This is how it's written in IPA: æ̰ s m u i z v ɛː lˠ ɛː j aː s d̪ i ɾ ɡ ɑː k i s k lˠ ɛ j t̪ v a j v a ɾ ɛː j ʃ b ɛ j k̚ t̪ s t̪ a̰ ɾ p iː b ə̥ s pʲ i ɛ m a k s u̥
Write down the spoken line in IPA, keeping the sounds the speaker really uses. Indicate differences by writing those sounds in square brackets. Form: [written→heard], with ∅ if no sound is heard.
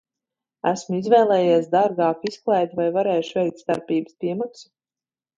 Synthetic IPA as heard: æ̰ s m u i z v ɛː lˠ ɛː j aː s d̪ [i→a] ɾ ɡ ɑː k i s k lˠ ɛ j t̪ v a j v a ɾ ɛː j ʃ [b→v] ɛ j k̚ t̪ s t̪ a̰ ɾ p iː b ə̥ s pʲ i ɛ m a k s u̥